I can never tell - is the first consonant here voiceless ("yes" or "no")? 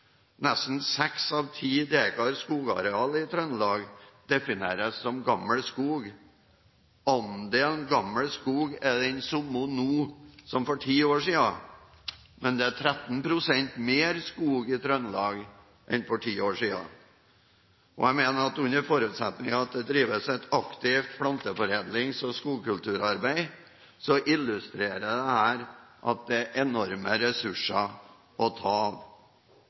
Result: no